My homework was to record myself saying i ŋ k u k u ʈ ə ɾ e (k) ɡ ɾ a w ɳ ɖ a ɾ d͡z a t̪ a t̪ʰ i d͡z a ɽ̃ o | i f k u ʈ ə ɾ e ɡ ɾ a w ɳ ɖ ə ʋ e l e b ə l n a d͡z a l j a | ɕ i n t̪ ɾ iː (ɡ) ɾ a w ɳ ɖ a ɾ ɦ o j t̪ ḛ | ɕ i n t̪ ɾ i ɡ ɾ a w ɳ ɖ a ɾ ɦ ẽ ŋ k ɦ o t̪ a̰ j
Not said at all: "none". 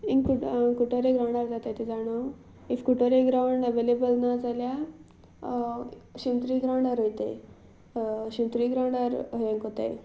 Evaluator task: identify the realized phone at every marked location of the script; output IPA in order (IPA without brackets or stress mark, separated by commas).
none, ɡ